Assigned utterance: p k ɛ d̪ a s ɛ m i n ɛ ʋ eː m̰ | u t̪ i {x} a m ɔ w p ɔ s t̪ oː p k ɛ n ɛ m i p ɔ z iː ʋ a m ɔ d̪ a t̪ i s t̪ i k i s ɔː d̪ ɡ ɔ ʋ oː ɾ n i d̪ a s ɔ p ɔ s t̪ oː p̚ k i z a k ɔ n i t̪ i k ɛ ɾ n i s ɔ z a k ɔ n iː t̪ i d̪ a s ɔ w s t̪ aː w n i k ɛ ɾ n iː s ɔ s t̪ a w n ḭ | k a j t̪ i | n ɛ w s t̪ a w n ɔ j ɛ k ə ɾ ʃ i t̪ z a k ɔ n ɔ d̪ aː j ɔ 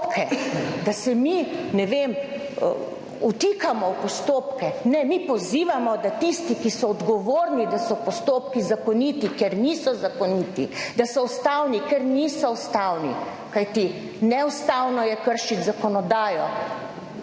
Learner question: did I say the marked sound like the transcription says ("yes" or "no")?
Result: no